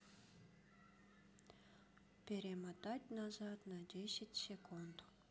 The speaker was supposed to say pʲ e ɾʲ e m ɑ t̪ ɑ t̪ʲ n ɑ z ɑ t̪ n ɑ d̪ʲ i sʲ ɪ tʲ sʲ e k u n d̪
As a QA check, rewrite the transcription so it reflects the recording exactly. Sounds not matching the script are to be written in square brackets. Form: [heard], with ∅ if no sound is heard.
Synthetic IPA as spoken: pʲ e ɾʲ e m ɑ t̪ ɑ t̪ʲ n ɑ z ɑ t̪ n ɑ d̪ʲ [e] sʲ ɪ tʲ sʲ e k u n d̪